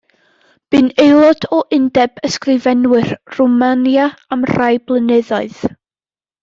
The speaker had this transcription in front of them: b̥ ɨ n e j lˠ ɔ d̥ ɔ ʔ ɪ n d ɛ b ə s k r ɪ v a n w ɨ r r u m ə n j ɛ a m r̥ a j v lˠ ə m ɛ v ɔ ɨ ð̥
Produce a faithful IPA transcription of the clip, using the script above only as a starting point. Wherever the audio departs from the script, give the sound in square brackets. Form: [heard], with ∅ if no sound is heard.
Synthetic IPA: b̥ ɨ n e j lˠ ɔ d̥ ɔ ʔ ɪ n d ɛ b ə s k r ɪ v [ɛ] n w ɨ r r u m [a] n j [a] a m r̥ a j [b] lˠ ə [n] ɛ [ð] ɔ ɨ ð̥